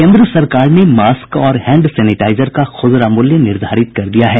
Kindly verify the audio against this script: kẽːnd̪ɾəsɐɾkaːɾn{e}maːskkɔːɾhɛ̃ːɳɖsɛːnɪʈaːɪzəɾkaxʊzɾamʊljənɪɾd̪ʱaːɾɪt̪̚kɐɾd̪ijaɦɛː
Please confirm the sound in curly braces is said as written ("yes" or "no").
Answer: yes